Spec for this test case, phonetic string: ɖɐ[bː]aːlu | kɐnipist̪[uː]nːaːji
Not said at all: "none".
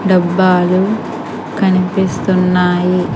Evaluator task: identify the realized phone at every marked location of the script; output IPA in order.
bː, u

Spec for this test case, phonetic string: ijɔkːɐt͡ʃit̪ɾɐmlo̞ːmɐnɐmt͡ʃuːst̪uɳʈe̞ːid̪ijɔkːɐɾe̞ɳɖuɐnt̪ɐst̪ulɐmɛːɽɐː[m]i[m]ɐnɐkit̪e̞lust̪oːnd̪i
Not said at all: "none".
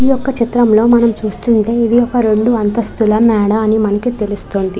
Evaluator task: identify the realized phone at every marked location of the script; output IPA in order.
n, m

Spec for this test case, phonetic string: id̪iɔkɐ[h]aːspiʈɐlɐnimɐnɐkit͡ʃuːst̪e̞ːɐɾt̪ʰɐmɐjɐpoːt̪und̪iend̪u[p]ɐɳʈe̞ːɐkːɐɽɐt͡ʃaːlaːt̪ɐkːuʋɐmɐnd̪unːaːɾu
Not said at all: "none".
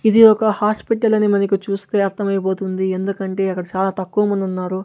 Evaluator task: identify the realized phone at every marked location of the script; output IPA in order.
h, k

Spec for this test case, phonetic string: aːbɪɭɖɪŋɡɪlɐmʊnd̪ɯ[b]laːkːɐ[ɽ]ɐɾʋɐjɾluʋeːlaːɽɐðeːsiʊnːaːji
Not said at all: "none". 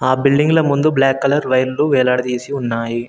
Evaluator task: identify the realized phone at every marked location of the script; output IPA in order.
b, l

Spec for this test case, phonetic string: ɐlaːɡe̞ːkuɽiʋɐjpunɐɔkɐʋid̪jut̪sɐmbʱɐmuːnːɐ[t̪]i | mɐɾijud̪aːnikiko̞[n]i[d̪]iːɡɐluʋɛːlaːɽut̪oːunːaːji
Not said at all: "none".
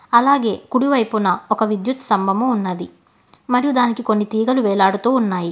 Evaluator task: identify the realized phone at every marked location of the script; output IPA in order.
d̪, nː, t̪

